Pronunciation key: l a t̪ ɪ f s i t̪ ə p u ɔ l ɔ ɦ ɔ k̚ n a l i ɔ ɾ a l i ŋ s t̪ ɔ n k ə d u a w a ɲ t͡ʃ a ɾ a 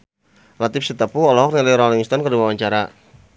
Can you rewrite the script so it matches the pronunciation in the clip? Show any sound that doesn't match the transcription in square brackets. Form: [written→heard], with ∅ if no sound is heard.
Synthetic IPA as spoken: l a t̪ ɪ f s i t̪ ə p u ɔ l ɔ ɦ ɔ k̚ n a l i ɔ ɾ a l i ŋ s t̪ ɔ n k ə d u a w a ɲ t͡ʃ a ɾ a